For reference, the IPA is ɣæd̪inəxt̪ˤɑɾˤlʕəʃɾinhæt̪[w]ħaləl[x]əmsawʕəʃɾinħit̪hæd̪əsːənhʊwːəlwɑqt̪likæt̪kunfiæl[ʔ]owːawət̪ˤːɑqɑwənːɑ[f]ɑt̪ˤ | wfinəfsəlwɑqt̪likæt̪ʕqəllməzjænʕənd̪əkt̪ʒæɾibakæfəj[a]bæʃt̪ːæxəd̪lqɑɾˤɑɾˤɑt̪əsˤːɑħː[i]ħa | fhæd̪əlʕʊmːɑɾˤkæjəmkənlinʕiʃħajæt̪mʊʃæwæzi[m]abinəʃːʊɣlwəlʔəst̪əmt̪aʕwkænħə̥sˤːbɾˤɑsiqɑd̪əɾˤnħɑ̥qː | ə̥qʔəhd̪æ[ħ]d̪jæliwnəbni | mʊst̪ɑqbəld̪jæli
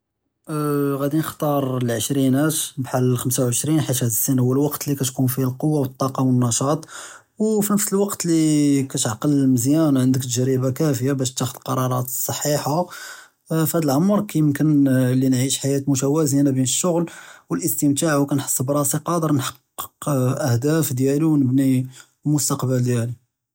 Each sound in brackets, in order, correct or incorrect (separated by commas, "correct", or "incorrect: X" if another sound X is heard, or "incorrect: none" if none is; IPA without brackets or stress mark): incorrect: b, correct, incorrect: q, incorrect: ʃ, correct, correct, incorrect: n, incorrect: f